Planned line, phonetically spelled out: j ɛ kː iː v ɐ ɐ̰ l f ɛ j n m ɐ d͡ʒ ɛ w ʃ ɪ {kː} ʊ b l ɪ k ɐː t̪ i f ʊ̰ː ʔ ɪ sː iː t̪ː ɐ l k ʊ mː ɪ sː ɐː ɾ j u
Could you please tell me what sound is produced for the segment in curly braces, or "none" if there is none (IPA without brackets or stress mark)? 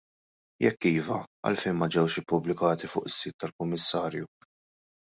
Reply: pː